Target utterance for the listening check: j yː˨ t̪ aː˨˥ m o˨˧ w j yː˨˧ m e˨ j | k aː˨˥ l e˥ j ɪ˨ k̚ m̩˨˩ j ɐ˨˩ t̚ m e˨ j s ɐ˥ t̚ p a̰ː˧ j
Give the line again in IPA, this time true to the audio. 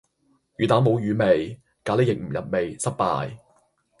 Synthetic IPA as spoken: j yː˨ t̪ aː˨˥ m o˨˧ w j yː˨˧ m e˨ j | k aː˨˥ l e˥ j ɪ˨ k̚ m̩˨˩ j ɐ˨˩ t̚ m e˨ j s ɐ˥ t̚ p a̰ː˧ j